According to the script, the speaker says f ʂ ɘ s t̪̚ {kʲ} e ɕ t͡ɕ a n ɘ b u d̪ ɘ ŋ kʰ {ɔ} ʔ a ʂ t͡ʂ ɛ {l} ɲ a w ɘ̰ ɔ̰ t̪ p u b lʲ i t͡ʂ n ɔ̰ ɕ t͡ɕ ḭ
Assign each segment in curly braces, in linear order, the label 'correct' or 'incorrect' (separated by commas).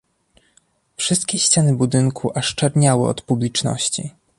correct, incorrect, incorrect